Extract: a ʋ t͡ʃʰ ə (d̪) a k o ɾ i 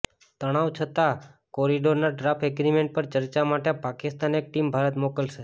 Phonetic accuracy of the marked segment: incorrect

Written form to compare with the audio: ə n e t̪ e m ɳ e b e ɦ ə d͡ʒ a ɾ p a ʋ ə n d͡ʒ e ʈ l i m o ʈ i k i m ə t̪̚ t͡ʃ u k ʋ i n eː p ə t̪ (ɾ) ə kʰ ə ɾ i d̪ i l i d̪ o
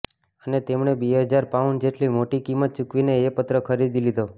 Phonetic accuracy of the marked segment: correct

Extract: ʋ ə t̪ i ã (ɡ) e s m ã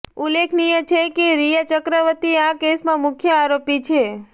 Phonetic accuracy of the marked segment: incorrect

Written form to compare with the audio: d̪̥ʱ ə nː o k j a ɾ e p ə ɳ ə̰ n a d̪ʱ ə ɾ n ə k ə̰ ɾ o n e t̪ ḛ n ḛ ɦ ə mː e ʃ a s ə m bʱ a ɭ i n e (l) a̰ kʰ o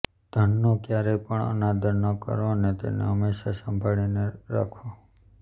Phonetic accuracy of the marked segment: incorrect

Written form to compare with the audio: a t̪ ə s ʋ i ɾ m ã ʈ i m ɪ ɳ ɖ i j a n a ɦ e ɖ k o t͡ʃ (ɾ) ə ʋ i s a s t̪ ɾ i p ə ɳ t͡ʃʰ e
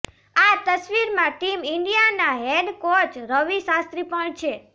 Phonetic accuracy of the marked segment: correct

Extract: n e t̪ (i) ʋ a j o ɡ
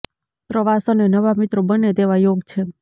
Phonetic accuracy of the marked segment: incorrect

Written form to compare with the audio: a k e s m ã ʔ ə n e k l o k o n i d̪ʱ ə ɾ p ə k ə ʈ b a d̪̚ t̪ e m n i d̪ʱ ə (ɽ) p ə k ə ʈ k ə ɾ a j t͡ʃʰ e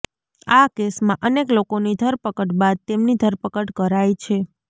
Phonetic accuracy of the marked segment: incorrect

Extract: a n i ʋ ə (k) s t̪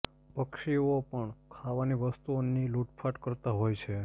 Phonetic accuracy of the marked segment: incorrect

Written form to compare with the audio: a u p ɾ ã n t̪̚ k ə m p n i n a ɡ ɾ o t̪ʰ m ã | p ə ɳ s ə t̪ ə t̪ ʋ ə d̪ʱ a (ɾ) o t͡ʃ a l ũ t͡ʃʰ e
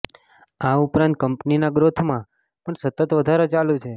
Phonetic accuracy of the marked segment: correct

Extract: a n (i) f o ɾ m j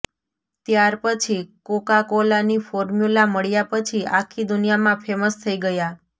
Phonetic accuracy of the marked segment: correct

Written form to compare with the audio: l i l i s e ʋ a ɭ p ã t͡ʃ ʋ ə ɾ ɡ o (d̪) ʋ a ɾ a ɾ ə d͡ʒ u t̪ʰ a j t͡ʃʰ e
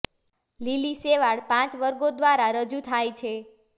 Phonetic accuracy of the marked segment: correct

